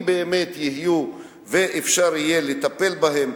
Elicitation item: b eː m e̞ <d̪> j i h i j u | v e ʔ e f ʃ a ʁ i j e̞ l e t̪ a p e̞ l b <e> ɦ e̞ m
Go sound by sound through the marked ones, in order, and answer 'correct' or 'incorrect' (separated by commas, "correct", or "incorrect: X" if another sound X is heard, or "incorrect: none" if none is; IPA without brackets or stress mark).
incorrect: t̪, incorrect: a